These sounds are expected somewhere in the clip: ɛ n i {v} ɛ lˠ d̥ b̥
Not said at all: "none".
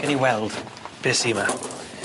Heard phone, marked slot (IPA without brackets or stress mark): w